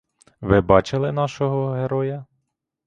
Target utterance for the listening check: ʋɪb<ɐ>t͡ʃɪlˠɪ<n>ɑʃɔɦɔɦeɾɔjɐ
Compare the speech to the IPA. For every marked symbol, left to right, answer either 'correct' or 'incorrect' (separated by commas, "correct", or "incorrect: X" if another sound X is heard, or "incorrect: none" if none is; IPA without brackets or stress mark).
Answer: incorrect: ɑ, correct